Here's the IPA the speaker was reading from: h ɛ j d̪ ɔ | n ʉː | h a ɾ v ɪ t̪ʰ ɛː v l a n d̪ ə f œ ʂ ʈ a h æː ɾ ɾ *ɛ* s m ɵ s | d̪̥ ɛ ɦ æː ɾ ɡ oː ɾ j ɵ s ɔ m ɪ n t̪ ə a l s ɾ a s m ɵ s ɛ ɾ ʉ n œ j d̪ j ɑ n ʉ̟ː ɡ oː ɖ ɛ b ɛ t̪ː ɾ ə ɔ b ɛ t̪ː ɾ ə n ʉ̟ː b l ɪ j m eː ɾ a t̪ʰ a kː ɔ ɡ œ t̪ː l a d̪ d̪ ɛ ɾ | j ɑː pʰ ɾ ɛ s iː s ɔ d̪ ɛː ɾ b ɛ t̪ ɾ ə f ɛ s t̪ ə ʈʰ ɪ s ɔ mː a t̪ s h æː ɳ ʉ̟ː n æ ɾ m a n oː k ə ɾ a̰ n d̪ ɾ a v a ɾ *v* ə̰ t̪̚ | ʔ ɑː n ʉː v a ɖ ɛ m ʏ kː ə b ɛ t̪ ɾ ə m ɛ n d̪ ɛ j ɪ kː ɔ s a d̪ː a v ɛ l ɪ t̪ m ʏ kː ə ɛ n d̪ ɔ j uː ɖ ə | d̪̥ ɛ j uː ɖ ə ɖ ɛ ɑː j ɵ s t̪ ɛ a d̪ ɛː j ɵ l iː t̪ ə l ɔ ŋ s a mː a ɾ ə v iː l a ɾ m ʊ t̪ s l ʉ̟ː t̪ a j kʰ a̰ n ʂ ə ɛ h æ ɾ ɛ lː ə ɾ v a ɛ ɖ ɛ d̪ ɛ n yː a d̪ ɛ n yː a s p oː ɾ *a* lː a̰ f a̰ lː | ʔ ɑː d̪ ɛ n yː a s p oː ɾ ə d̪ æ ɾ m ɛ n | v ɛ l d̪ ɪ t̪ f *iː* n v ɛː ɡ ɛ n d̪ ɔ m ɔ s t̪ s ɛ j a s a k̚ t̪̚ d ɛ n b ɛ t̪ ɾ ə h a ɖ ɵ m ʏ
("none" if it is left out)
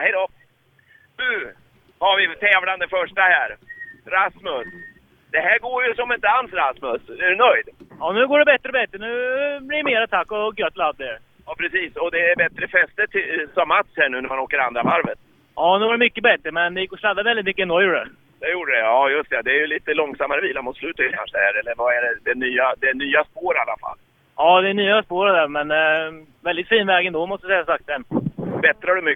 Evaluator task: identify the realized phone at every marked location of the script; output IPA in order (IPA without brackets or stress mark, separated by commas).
a, v, a, iː